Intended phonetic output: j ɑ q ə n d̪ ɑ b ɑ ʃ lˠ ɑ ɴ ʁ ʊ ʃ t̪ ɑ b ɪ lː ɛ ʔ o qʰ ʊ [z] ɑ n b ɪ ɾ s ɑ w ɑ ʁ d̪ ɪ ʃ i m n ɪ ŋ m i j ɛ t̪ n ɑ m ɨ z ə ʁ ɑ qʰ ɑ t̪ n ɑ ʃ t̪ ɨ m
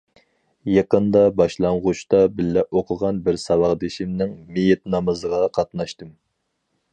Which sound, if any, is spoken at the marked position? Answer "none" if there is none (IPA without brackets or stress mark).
ʁ